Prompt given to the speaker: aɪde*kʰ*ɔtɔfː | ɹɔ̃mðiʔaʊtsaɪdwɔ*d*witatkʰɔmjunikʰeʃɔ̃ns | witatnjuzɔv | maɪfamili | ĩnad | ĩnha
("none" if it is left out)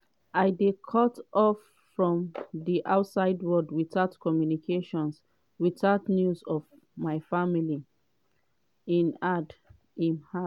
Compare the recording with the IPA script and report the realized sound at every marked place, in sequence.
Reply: kʰ, d

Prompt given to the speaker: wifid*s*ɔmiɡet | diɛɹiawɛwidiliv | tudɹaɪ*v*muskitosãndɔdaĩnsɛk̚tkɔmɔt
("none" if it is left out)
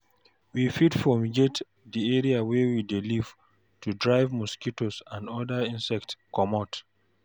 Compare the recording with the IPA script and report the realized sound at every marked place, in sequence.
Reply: f, v

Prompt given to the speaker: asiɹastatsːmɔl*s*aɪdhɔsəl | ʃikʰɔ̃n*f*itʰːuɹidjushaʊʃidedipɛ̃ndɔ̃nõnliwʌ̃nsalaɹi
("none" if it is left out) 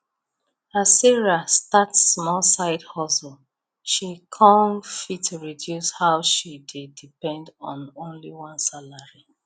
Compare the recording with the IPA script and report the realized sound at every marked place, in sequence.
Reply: s, f

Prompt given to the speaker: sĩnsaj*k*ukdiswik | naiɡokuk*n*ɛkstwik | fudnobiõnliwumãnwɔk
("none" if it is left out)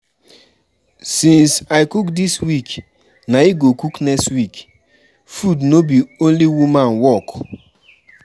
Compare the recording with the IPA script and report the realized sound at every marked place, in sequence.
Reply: k, n

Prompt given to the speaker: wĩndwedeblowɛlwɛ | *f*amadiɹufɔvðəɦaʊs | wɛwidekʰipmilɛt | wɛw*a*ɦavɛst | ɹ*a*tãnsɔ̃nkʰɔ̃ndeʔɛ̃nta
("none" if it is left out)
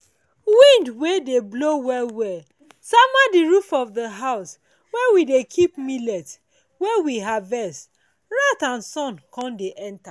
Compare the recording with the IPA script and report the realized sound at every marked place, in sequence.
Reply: s, i, a

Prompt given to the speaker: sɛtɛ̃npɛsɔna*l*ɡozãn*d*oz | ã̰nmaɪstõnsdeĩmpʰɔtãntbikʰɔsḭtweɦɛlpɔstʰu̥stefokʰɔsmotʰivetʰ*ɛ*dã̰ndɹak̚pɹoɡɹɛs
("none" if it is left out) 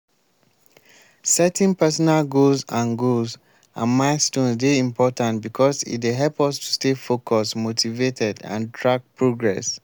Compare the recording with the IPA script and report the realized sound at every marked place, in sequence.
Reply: l, ɡ, ɛ

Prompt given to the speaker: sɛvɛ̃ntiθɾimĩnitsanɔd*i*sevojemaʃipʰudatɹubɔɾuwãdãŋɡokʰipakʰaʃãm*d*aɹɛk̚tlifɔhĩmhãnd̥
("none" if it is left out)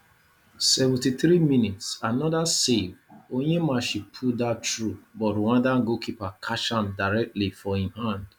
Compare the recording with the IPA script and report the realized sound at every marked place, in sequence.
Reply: a, d

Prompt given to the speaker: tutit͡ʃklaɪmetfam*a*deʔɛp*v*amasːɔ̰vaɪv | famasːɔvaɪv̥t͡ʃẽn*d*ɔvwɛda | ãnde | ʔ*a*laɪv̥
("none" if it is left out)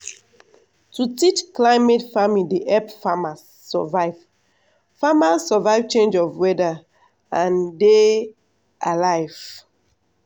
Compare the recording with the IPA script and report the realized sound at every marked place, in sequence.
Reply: i, f, d͡ʒ, a

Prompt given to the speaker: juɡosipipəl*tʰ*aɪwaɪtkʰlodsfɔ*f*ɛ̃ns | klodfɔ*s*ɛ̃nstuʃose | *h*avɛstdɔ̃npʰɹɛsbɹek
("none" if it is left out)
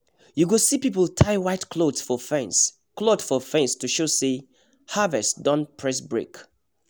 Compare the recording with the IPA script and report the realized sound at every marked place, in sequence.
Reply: tʰ, f, f, h

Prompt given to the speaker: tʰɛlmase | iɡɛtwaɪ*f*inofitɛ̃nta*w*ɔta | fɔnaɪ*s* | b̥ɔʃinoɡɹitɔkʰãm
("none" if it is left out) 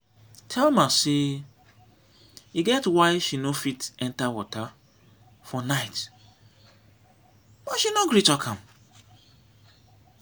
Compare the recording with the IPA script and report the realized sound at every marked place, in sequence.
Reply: ʃ, w, t

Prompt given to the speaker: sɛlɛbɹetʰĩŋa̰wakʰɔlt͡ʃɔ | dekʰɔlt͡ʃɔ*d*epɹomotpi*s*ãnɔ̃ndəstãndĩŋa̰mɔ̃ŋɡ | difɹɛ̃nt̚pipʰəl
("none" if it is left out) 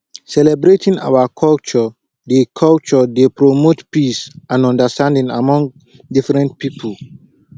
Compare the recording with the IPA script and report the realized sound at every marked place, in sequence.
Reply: d, s

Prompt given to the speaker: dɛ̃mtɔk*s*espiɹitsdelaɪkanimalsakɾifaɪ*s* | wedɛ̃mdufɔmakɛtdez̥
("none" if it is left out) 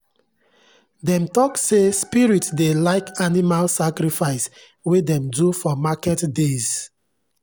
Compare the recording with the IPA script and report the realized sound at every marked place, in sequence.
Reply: s, s

